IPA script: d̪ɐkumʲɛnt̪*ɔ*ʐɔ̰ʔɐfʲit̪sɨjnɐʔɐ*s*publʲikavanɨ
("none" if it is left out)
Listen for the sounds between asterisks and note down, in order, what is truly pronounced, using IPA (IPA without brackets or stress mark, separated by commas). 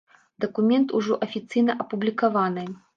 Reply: u, none